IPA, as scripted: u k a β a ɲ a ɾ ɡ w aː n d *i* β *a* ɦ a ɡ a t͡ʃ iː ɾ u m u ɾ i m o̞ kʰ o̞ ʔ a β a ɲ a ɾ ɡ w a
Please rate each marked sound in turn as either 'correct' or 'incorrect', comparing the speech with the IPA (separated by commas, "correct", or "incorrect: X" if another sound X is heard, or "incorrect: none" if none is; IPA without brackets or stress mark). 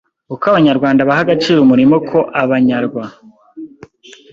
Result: incorrect: a, correct